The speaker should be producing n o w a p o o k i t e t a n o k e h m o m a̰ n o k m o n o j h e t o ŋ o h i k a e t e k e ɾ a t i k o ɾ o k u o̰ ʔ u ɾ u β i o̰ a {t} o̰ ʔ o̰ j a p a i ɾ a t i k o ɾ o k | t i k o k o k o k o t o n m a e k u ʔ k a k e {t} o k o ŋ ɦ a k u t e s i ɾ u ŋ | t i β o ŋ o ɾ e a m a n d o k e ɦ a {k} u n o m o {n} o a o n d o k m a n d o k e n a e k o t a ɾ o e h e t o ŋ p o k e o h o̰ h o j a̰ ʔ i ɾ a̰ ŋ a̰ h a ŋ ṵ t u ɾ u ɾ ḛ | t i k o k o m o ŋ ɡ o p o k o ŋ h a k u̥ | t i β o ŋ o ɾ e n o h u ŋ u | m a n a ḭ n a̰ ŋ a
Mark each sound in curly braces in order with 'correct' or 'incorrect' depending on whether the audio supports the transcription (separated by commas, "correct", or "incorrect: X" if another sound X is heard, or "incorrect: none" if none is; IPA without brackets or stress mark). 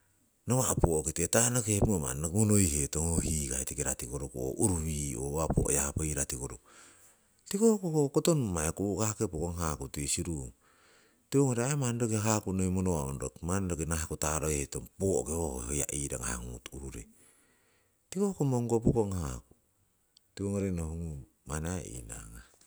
incorrect: p, incorrect: p, correct, correct